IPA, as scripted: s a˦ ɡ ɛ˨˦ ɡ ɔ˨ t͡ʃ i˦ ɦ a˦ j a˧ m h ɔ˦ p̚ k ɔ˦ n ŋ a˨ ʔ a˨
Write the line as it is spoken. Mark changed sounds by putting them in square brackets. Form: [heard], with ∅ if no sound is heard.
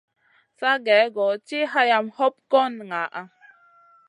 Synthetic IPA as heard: s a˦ ɡ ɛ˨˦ ɡ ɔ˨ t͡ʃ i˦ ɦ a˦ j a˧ m h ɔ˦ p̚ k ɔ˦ n ŋ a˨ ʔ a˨